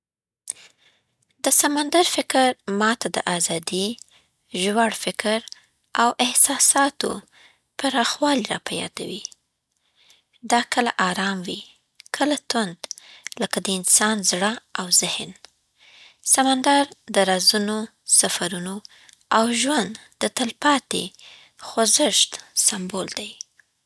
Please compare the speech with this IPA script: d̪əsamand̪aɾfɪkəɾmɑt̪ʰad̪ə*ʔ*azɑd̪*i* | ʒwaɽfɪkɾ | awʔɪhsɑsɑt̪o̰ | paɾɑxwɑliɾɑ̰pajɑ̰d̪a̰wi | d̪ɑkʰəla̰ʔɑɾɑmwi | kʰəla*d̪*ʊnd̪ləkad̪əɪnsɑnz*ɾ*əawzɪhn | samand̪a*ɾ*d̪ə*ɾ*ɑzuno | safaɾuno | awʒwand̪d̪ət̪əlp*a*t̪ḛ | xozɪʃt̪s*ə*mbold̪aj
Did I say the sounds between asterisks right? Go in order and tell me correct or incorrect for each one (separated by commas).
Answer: correct, correct, incorrect, incorrect, correct, correct, incorrect, incorrect